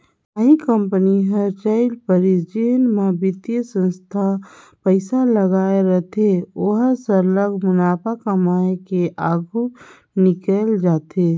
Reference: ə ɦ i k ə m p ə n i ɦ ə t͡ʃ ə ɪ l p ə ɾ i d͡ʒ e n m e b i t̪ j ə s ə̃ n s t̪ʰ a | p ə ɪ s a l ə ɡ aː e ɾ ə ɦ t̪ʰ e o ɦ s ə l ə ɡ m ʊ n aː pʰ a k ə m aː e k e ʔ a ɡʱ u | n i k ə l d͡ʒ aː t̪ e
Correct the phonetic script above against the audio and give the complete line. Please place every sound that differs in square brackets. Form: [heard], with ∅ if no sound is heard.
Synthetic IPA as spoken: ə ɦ i k ə m p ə n i ɦ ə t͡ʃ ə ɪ l p ə ɾ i d͡ʒ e n m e b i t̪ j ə s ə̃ n s t̪ʰ a | p ə ɪ s a l ə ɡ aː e ɾ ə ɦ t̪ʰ e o ɦ s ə l ə ɡ m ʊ n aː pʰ a k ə m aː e k e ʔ a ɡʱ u | n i k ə l d͡ʒ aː t̪ e